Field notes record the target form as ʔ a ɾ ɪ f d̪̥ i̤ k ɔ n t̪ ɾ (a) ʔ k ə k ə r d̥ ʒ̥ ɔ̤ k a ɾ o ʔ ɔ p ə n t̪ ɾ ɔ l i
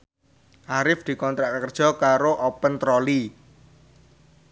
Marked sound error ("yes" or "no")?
no